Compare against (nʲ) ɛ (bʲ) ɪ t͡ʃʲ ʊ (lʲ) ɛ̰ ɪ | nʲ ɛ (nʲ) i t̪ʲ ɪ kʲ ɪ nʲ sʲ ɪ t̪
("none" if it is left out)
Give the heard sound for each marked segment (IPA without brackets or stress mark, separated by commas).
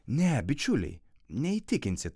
nʲ, bʲ, lʲ, none